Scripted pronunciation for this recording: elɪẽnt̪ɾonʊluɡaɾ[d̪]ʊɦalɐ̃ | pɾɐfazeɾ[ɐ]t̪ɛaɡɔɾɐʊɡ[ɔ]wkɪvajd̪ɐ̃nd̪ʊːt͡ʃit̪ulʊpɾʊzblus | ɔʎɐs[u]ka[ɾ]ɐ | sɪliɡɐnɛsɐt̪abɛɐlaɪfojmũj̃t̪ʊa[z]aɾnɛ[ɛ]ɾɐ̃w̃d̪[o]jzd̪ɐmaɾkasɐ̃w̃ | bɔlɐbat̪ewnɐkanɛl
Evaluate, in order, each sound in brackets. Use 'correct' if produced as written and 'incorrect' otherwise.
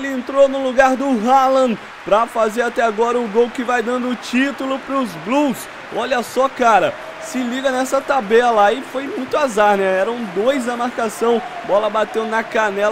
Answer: correct, incorrect: a, incorrect: o, incorrect: ɔ, correct, correct, correct, correct

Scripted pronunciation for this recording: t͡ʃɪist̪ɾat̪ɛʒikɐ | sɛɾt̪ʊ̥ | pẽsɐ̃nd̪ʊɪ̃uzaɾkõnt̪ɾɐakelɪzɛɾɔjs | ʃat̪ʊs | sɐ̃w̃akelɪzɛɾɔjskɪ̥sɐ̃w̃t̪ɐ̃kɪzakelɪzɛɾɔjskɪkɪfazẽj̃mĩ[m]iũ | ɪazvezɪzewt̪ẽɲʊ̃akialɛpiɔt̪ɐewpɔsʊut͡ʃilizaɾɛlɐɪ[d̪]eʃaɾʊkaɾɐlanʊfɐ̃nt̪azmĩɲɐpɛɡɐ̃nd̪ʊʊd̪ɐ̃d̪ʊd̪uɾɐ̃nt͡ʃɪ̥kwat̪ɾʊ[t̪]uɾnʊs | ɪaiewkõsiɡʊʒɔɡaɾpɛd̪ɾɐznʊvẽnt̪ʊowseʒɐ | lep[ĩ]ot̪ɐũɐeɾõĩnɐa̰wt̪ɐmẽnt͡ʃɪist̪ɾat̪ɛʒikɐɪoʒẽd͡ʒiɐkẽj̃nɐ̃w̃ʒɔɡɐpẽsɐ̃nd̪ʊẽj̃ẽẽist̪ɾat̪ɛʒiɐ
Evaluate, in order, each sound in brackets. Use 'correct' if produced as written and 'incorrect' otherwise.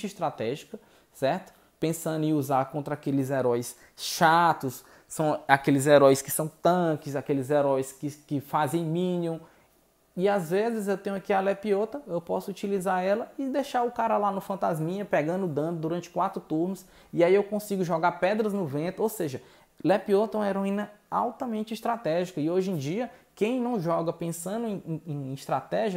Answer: incorrect: n, correct, correct, incorrect: i

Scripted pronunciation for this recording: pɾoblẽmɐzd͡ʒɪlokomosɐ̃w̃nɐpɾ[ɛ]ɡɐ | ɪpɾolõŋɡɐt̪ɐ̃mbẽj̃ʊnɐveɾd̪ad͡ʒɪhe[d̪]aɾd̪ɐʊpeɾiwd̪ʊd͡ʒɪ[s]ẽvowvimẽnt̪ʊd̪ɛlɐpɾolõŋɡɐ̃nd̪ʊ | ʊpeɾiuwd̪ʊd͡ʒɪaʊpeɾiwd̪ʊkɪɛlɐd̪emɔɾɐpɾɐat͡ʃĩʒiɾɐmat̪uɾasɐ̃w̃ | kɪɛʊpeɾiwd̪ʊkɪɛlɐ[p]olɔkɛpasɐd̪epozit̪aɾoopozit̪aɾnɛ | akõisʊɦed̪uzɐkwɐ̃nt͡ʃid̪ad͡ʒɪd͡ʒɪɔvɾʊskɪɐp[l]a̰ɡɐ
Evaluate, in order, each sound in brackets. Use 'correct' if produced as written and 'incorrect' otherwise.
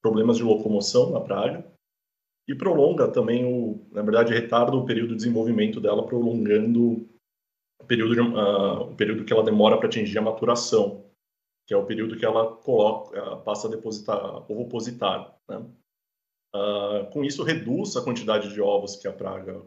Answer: incorrect: a, incorrect: t̪, incorrect: z, incorrect: k, incorrect: ɾ

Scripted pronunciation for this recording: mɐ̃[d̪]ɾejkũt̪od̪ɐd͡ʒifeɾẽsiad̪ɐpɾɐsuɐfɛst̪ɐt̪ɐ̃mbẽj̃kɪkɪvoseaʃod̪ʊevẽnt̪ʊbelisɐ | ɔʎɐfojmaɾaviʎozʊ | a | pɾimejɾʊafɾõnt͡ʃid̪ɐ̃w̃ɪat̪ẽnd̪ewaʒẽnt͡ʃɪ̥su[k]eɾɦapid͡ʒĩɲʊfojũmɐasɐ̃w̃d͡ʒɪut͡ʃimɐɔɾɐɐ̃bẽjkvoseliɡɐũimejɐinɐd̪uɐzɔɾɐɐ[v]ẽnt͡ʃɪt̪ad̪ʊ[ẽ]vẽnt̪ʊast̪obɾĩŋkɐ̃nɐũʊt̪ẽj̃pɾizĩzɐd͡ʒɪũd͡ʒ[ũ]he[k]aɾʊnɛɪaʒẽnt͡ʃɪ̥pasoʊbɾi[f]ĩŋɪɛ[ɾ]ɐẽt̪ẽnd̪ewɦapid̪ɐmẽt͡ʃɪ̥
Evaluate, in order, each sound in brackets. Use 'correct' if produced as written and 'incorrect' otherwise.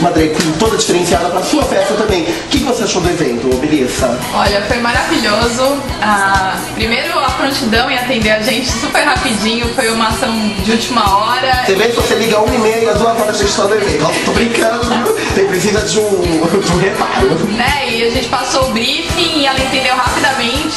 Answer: correct, incorrect: p, incorrect: ʒ, incorrect: e, correct, incorrect: p, correct, incorrect: l

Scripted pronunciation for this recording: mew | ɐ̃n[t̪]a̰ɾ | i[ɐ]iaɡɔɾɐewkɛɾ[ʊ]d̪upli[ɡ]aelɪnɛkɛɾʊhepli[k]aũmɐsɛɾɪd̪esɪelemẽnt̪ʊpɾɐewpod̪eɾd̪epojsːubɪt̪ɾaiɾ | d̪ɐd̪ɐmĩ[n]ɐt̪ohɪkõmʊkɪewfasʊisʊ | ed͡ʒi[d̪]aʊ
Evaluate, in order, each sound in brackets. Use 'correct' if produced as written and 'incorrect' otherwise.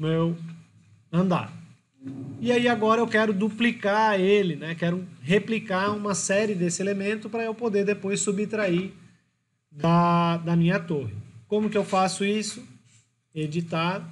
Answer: incorrect: d̪, incorrect: a, correct, incorrect: k, correct, incorrect: ɲ, incorrect: t̪

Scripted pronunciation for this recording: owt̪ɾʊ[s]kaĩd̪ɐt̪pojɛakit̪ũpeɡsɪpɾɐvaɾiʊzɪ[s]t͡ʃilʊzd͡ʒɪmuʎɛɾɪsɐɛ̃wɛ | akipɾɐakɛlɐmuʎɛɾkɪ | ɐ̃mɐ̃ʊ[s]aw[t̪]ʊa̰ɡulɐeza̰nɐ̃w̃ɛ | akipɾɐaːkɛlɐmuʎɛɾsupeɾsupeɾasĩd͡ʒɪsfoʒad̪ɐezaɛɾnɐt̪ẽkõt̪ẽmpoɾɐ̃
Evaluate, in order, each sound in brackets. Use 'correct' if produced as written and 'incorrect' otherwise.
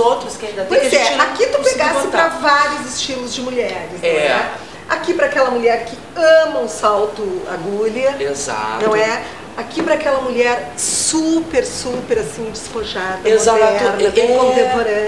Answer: correct, correct, correct, correct

